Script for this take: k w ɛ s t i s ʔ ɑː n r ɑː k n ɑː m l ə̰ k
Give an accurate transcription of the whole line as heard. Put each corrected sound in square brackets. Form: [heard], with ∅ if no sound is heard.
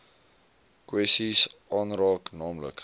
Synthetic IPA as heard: k w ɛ s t i s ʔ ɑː n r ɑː k n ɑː m l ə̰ k

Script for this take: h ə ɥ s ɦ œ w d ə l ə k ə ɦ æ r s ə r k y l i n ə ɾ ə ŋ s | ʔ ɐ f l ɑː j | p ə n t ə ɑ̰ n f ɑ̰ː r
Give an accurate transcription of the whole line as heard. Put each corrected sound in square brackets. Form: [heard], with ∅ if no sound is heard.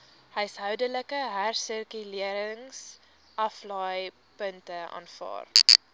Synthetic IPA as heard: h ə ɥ s ɦ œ w d ə l ə k ə ɦ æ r s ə r k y l i [∅] ə ɾ ə ŋ s | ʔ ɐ f l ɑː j | p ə n t ə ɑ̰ n f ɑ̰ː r

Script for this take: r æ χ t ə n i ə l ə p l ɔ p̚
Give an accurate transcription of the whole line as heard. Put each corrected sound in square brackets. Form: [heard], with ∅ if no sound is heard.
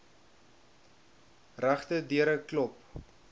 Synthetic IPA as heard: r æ χ t ə [d] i ə [ɾ] ə [k] l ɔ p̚

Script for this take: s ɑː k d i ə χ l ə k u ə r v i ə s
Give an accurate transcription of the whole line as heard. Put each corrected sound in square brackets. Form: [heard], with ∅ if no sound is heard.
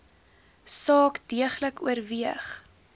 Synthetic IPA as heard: s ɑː k d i ə χ l ə k u ə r v i ə [χ]

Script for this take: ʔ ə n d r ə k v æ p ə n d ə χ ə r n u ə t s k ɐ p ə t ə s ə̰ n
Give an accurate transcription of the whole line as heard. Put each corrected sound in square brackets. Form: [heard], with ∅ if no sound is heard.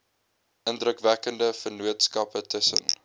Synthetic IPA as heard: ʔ ə n d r ə k v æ [k] ə n d ə [f] ə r n u ə t s k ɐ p ə t ə s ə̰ n

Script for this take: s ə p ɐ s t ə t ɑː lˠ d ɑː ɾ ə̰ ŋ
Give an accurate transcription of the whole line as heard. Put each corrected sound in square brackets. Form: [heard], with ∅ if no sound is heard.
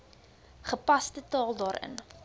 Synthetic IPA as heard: [χ] ə p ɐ s t ə t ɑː lˠ d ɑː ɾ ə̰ [n]

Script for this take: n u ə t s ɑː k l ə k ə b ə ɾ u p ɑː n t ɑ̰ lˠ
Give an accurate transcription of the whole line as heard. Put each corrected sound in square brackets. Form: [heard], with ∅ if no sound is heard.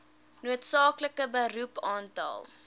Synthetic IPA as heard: n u ə t s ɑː k l ə k ə b ə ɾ u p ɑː n t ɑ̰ lˠ

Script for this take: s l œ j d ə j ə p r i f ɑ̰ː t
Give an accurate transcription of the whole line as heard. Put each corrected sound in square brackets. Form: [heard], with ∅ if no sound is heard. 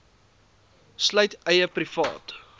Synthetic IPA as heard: s l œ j [t] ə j ə p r i f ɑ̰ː t

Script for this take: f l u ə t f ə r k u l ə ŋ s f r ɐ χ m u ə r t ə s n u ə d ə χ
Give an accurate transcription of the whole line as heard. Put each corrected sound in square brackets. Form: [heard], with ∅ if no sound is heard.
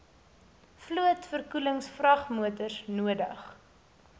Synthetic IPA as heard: f l u ə t f ə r k u l ə ŋ s f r ɐ χ m u ə [∅] t ə s n u ə d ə χ

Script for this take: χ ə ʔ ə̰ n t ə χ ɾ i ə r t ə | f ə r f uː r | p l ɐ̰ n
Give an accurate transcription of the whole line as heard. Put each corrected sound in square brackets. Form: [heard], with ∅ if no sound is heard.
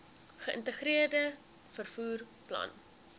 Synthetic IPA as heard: χ ə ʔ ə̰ n t ə χ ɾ i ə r [d] ə | f ə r f uː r | p l ɐ̰ n

